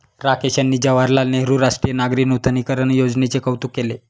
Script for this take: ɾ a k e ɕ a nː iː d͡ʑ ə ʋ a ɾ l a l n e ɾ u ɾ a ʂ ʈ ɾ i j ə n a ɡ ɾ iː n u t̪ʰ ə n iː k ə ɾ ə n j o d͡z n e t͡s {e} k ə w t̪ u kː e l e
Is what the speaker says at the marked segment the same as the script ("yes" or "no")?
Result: yes